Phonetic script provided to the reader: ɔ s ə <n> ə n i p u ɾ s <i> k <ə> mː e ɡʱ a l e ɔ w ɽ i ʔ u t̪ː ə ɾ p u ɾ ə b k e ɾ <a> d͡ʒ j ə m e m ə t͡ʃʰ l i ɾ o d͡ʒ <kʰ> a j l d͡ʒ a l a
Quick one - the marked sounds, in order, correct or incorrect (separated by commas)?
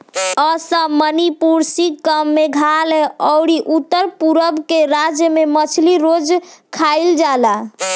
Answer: incorrect, correct, correct, correct, correct